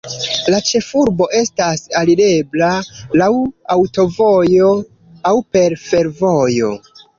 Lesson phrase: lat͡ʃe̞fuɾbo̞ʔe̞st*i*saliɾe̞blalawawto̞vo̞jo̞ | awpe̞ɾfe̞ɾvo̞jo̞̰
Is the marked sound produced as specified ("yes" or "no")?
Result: no